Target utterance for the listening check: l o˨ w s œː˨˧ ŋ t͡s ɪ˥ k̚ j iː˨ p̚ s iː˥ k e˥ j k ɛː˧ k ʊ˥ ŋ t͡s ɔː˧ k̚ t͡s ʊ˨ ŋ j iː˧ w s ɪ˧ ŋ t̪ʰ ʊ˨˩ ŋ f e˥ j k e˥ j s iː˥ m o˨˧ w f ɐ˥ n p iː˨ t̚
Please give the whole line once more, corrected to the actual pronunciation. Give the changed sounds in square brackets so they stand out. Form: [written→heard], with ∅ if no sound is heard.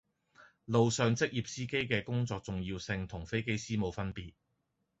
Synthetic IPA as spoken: l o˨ w s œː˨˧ ŋ t͡s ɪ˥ k̚ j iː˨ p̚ s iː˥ k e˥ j k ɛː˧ k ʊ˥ ŋ t͡s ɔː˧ k̚ t͡s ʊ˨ ŋ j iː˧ w s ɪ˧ ŋ t̪ʰ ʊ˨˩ ŋ f e˥ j k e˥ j s iː˥ m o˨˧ w f ɐ˥ n p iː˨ t̚